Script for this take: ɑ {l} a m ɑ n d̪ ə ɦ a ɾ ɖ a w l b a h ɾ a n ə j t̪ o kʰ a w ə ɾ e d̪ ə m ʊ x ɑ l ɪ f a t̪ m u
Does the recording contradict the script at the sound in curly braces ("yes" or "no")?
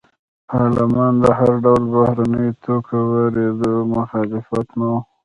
no